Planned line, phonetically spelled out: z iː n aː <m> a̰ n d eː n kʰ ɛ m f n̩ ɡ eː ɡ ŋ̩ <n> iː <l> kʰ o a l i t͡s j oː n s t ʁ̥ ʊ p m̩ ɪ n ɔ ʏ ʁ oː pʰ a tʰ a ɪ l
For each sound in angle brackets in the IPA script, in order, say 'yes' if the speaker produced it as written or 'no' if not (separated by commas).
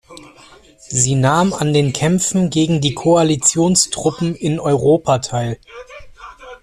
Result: yes, no, no